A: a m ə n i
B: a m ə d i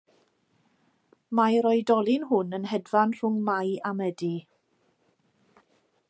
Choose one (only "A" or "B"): B